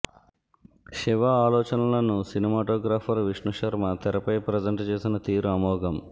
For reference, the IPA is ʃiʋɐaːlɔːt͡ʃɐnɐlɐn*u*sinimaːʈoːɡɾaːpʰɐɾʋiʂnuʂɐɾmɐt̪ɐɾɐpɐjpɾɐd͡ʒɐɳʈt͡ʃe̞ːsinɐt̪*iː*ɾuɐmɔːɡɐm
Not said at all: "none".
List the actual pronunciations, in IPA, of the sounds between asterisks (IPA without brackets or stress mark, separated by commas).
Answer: u, iː